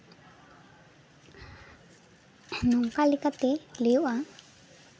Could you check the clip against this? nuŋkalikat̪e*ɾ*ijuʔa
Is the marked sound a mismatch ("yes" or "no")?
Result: yes